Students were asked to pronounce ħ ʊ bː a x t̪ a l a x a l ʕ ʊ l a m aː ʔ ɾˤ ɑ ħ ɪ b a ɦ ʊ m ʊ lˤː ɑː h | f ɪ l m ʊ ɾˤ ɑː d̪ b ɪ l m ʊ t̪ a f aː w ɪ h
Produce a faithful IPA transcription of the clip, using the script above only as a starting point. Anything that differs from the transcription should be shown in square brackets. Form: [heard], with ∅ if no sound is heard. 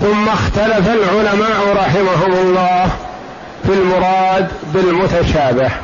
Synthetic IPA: [θ] ʊ [mː] a x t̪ a l a [f] a l ʕ ʊ l a m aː ʔ ɾˤ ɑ ħ ɪ [m] a ɦ ʊ m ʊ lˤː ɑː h | f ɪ l m ʊ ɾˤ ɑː d̪ b ɪ l m ʊ t̪ a [ʃ] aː [b] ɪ h